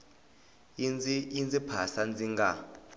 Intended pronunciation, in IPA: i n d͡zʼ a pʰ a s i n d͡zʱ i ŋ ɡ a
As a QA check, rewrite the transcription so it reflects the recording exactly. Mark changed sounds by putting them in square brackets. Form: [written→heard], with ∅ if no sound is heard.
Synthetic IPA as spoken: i n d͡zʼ [a→i] pʰ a s [i→a] n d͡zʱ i ŋ ɡ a